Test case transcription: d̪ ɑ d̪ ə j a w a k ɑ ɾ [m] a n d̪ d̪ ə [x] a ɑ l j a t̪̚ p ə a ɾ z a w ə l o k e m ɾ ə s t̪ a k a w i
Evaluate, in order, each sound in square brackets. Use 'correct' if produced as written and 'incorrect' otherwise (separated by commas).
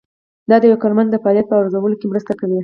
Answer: correct, incorrect